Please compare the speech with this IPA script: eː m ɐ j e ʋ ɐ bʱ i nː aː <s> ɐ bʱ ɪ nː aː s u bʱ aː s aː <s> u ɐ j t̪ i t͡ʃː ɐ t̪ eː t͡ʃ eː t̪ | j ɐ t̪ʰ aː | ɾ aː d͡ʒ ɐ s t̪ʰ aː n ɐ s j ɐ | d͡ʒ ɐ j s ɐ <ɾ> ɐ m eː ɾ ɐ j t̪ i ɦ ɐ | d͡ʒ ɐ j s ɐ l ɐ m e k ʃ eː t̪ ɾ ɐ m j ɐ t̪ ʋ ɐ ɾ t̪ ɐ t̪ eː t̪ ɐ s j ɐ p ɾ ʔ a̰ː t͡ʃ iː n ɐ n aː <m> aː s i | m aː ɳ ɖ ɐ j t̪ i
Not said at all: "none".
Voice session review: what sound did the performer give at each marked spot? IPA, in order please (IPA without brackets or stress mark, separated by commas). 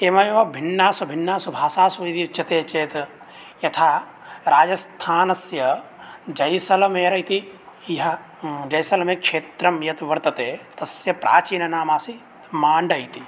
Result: s, s, l, m